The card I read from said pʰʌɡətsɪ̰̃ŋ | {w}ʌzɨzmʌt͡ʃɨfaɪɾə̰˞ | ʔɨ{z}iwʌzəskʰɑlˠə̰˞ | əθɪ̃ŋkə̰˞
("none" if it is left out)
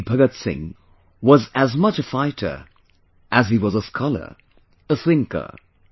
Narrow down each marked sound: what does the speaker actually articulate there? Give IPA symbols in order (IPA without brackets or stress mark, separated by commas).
w, z